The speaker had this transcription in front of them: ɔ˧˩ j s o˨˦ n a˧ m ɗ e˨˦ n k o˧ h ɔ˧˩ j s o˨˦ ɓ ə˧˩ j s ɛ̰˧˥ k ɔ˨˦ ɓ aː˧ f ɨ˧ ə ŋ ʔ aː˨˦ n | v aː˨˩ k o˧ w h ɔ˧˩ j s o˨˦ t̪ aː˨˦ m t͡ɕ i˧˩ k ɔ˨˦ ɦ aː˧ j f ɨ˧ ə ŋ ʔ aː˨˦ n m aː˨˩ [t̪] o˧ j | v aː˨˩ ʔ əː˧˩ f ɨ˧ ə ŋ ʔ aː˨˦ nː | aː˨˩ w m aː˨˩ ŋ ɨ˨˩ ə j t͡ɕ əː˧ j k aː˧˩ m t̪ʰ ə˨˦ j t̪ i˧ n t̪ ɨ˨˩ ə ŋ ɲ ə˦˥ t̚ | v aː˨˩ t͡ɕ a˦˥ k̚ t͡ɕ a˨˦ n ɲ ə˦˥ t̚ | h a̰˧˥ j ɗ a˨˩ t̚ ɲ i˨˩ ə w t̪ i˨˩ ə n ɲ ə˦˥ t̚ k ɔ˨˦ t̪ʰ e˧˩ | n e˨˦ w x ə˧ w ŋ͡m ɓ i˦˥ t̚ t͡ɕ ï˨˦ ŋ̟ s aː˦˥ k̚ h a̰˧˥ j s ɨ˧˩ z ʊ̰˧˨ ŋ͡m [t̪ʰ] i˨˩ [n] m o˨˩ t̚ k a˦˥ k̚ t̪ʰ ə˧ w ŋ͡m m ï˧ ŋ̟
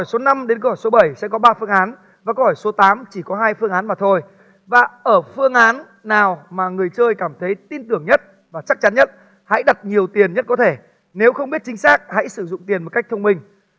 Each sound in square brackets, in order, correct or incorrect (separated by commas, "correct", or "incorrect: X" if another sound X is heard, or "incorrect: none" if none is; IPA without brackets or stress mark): incorrect: t̪ʰ, incorrect: t̪, correct